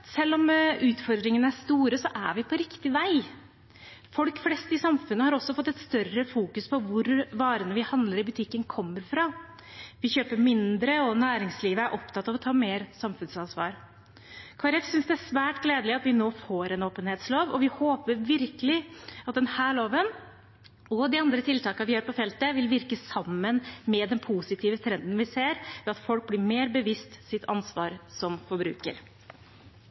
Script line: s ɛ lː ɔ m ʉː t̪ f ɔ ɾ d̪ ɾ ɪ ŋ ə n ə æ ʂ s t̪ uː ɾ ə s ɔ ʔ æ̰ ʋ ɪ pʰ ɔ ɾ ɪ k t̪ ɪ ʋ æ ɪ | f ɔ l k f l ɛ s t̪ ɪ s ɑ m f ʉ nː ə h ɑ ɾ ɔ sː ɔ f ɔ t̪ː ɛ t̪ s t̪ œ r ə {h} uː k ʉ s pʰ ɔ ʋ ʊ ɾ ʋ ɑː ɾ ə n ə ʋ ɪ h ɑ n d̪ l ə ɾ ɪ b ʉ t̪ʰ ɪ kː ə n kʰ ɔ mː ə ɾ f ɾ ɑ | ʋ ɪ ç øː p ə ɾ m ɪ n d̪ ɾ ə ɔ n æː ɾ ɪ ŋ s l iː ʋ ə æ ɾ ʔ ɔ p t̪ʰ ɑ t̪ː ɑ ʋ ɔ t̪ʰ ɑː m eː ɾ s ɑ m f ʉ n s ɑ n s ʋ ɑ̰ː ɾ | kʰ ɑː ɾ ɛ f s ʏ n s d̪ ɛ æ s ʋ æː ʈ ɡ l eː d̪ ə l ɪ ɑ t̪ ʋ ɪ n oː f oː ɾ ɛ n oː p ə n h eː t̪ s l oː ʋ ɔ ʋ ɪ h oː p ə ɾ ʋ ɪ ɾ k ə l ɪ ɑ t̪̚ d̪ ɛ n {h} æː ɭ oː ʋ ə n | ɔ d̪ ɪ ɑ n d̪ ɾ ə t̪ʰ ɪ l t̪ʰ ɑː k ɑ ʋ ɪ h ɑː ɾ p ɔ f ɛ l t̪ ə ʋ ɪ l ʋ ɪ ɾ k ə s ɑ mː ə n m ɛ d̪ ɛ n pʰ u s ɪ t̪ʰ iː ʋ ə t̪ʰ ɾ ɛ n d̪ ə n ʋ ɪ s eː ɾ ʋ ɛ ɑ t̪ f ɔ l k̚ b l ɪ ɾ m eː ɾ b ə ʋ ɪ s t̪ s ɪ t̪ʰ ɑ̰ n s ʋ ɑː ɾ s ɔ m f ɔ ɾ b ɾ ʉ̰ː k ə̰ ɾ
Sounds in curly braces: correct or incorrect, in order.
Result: incorrect, correct

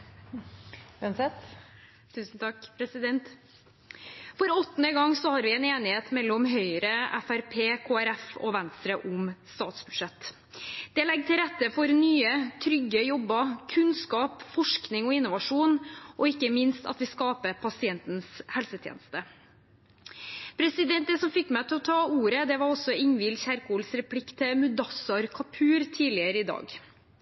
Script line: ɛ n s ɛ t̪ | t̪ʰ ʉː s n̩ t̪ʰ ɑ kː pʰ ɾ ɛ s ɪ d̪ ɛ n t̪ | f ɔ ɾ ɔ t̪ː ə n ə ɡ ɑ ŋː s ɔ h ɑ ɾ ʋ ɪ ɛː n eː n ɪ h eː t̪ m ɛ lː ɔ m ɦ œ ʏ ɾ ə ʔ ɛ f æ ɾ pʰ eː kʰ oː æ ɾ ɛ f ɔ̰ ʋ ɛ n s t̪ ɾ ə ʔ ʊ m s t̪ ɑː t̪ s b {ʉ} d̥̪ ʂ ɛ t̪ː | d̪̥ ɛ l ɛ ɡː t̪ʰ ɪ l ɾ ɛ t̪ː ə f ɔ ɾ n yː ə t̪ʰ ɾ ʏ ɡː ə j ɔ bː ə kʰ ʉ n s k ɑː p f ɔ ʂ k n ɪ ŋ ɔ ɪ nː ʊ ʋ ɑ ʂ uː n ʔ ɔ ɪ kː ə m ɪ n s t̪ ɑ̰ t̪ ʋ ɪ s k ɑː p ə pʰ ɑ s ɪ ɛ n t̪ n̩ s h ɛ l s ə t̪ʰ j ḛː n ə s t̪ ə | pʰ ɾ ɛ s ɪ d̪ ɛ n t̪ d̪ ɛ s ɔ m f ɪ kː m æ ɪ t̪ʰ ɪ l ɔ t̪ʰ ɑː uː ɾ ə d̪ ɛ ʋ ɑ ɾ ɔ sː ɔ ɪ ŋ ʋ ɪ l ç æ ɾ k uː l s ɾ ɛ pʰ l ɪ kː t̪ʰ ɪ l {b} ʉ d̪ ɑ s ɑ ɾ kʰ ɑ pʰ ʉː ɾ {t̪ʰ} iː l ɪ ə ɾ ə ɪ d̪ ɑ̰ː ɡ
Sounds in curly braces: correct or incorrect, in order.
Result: correct, incorrect, correct

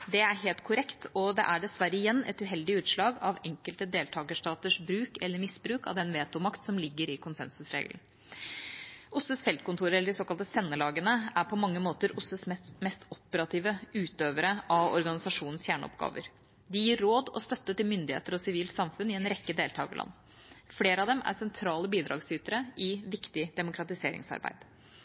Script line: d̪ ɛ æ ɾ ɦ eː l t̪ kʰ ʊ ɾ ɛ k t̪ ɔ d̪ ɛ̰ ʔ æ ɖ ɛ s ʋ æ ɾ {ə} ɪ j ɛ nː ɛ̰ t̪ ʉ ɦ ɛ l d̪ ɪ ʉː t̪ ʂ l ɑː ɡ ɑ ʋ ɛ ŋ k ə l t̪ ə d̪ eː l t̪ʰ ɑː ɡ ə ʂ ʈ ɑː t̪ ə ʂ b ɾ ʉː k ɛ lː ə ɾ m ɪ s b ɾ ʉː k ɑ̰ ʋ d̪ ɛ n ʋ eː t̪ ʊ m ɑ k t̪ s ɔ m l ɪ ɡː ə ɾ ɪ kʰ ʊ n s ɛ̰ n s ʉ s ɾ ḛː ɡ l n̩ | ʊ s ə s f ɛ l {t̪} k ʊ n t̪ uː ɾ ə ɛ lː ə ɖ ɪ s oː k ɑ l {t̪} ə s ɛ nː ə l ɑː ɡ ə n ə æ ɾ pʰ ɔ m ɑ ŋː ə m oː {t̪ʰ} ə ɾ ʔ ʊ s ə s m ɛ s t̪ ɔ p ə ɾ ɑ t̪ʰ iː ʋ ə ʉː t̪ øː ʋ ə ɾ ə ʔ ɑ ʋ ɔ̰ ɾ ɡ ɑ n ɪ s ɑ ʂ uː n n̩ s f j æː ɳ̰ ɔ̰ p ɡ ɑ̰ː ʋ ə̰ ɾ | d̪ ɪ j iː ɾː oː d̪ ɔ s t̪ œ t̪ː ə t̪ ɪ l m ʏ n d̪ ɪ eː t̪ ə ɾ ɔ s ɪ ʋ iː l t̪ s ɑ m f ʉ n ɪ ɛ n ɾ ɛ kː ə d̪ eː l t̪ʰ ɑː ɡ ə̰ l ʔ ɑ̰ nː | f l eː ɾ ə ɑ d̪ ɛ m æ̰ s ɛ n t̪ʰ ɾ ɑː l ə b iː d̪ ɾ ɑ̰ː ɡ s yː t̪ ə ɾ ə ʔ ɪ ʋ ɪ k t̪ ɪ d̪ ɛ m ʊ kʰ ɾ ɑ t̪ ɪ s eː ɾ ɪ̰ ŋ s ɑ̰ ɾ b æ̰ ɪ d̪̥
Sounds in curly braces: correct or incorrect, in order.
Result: correct, correct, correct, incorrect

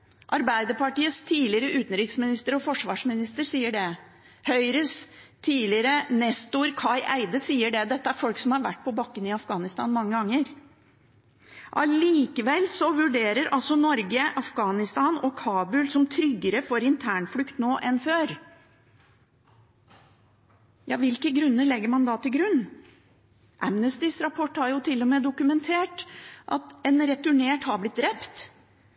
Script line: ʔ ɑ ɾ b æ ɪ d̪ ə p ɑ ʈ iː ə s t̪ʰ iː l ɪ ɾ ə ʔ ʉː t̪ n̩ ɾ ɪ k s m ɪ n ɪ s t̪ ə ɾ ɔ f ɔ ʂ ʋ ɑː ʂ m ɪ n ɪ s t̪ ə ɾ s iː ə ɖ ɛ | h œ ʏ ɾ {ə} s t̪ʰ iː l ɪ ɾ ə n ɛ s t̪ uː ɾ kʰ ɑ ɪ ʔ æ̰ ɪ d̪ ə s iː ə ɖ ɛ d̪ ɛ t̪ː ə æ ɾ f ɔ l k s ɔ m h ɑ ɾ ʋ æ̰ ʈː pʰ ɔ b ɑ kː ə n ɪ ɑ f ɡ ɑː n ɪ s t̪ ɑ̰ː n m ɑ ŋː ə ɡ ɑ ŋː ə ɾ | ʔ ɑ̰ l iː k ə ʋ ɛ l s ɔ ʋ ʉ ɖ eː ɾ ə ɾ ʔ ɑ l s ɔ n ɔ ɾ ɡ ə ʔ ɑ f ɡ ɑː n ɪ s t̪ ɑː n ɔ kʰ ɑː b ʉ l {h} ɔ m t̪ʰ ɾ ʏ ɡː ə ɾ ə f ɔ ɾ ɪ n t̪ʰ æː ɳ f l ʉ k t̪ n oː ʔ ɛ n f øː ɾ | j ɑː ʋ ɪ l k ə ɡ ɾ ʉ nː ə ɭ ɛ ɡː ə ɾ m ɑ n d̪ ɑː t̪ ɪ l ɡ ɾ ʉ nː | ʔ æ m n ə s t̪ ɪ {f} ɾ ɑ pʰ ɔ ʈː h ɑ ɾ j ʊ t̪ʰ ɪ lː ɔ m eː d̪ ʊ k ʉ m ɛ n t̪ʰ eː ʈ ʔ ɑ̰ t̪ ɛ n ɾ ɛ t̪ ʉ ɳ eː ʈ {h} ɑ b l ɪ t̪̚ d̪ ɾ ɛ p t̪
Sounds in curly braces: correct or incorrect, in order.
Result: correct, incorrect, incorrect, correct

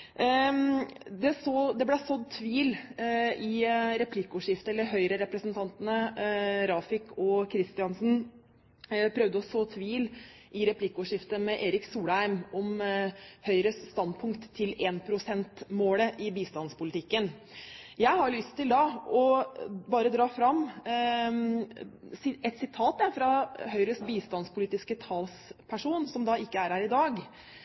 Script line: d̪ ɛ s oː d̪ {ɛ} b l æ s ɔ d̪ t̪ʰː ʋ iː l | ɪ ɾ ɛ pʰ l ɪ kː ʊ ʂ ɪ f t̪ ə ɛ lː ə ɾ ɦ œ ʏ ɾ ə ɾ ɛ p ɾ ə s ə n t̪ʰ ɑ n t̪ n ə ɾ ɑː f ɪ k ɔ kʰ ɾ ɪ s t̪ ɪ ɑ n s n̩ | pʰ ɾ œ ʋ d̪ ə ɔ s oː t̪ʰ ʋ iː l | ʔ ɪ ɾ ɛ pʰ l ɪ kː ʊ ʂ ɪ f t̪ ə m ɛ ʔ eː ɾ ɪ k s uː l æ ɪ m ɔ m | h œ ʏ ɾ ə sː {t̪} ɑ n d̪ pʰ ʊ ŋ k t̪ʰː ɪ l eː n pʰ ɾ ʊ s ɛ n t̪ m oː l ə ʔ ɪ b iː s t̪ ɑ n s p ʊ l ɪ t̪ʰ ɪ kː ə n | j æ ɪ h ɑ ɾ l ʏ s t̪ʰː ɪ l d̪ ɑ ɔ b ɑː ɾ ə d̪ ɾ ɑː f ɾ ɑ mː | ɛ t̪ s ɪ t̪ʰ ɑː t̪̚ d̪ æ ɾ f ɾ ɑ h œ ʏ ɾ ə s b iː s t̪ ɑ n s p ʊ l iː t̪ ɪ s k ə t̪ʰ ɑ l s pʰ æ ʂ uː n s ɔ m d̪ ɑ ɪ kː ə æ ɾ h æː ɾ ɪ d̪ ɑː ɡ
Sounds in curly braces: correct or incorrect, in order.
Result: correct, correct

